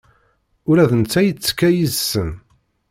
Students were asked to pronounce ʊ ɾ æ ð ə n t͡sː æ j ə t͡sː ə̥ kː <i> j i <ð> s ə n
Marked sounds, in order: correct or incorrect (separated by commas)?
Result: incorrect, incorrect